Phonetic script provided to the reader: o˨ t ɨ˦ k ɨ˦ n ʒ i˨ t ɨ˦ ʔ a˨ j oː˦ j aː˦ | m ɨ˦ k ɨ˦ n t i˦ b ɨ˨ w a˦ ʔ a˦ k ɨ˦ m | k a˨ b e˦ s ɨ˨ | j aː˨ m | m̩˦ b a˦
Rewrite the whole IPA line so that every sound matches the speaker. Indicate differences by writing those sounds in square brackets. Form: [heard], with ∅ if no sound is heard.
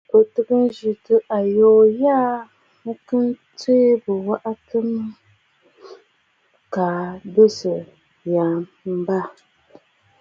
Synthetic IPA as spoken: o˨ t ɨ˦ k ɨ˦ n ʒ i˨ t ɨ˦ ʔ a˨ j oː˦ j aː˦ | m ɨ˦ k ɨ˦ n t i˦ b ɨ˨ w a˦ ʔ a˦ [t] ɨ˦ m | k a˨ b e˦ s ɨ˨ | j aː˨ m | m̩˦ b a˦